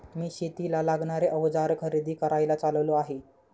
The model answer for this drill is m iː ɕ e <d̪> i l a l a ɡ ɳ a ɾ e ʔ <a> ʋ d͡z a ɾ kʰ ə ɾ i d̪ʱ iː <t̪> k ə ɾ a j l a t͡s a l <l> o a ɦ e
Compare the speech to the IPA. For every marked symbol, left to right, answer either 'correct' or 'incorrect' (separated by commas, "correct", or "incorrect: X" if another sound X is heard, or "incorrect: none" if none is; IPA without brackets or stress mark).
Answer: incorrect: t̪, incorrect: ə, incorrect: none, correct